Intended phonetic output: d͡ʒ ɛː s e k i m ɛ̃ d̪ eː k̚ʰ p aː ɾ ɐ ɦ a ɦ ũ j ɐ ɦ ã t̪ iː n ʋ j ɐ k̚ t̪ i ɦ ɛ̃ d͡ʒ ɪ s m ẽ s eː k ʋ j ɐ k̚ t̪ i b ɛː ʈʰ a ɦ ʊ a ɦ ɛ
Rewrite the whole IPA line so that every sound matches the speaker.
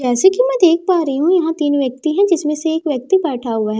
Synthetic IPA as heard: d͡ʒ ɛː s e k i m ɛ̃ d̪ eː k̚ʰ p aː ɾ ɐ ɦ i ɦ ũ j ɐ ɦ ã t̪ iː n ʋ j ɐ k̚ t̪ i ɦ ɛ̃ d͡ʒ ɪ s m ẽ s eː k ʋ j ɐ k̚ t̪ i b ɛː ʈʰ a ɦ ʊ a ɦ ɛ

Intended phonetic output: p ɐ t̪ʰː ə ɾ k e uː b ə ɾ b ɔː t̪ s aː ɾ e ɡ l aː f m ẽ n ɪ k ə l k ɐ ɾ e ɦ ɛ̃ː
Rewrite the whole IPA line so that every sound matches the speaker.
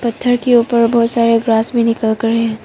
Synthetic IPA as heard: p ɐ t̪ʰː ə ɾ k e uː p ə ɾ b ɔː t̪ s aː ɾ e ɡ ɾ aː s m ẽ n ɪ k ə l k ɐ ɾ e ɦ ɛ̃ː

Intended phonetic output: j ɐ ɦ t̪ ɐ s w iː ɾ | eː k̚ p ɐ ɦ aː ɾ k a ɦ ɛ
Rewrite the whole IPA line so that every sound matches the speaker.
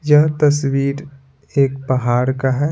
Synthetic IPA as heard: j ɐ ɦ t̪ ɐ s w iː ɾ | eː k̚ p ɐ ɦ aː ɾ k a ɦ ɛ

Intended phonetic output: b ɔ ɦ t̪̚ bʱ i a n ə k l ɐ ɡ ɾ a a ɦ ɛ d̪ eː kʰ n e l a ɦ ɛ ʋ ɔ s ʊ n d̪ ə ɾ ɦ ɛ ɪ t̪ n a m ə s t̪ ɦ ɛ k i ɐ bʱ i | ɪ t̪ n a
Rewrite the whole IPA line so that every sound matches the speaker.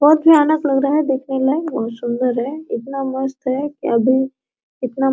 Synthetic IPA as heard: b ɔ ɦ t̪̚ bʱ i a n ə k l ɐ ɡ ɾ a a ɦ ɛ d̪ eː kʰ n e l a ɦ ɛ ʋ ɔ s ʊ n d̪ ə ɾ ɦ ɛ ɪ t̪ n a m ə s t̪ ɦ ɛ k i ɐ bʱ i | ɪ t̪ n a

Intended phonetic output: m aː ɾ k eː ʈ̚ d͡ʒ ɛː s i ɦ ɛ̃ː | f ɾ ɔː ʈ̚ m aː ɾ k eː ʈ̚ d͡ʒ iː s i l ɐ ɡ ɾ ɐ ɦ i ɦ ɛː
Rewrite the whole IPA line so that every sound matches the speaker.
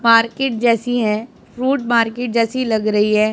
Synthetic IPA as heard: m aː ɾ k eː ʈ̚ d͡ʒ ɛː s i ɦ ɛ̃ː | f ɾ uː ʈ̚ m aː ɾ k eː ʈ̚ d͡ʒ ɛː s i l ɐ ɡ ɾ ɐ ɦ i ɦ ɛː

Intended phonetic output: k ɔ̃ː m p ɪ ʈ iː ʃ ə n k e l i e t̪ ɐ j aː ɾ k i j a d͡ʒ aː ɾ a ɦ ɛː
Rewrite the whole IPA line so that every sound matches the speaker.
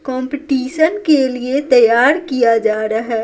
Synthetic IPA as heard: k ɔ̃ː m p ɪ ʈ iː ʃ ə n k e l i e t̪ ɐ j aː ɾ k i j a d͡ʒ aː ɾ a ɦ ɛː

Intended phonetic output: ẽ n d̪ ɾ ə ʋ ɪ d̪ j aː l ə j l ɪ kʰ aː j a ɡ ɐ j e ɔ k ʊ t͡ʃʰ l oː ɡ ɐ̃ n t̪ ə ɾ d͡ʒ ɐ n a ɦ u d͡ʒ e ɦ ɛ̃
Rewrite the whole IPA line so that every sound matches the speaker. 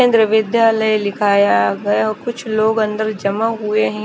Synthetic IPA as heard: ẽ n d̪ ɾ ə ʋ ɪ d̪ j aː l ə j l ɪ kʰ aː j a ɡ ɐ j a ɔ k ʊ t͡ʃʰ l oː ɡ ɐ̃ n d̪ ə ɾ d͡ʒ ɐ m a ɦ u e ɦ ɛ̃

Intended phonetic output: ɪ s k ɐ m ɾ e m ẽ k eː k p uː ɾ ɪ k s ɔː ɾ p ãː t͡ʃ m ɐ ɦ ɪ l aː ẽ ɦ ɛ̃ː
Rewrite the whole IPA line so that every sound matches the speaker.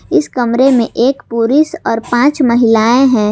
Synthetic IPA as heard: ɪ s k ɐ m ɾ e m ẽ ʔ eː k p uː ɾ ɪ s ɔː ɾ p ãː t͡ʃ m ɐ ɦ ɪ l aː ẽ ɦ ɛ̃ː

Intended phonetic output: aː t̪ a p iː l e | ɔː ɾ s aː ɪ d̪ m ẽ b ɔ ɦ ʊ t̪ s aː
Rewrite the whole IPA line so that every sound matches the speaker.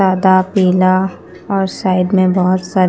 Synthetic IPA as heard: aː d̪ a p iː l a | ɔː ɾ s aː ɪ d̪ m ẽ b ɔ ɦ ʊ t̪ s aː

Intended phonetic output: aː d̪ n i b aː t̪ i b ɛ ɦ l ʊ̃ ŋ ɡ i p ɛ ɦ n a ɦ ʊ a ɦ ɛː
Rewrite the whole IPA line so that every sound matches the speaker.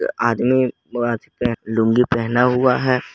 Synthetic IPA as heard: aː d̪ m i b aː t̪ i p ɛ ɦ l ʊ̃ ŋ ɡ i p ɛ ɦ n a ɦ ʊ a ɦ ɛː

